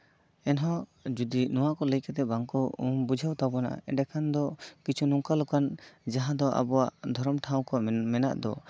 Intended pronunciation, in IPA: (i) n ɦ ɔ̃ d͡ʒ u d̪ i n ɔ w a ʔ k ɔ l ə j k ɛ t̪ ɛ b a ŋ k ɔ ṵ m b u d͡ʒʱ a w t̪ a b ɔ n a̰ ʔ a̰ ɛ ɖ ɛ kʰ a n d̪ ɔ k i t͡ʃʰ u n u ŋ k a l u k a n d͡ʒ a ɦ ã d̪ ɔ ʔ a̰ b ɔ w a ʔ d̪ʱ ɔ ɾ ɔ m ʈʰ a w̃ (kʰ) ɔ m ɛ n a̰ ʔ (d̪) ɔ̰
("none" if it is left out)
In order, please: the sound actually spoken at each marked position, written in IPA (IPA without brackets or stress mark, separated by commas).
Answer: ɛ, k, d̪